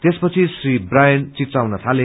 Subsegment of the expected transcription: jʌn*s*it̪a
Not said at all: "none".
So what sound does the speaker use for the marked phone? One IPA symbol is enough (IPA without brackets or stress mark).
t͡s